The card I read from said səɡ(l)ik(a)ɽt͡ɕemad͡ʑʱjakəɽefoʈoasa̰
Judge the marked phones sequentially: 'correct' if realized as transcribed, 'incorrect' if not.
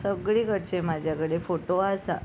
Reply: incorrect, incorrect

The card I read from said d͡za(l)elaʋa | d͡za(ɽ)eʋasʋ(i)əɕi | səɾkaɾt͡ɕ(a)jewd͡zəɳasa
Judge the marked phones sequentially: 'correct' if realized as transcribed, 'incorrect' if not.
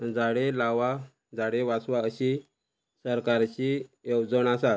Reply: incorrect, correct, incorrect, incorrect

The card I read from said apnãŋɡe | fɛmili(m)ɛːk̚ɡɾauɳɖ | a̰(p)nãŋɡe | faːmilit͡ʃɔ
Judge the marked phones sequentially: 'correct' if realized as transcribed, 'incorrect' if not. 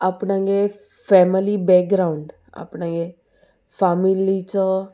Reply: incorrect, correct

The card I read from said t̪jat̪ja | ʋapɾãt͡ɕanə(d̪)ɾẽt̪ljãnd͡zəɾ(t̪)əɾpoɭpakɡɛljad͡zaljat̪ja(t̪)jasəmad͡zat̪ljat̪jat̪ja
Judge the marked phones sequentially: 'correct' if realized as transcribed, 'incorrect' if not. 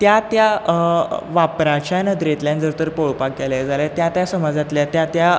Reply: correct, correct, correct

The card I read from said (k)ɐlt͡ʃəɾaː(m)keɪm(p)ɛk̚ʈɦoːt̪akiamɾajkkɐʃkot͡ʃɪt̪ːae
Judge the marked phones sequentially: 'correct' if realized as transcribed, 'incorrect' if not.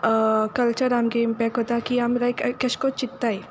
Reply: correct, correct, correct

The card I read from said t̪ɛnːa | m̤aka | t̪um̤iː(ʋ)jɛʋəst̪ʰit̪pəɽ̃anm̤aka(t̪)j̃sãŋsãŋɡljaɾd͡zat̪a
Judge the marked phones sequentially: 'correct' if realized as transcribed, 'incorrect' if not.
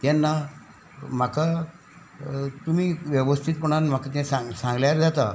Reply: correct, correct

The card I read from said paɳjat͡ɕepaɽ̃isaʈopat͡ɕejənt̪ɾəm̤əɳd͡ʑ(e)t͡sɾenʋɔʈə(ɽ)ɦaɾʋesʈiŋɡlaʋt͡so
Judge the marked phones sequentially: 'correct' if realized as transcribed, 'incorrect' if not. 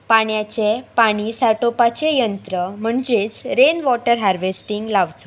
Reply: correct, incorrect

